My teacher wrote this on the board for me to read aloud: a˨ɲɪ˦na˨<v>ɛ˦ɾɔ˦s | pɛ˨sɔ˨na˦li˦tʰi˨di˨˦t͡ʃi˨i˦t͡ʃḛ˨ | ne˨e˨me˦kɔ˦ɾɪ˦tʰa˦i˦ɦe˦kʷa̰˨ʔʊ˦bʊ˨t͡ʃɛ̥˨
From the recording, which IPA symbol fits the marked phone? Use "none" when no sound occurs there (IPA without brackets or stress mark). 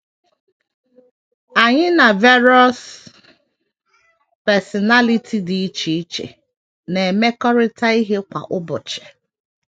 v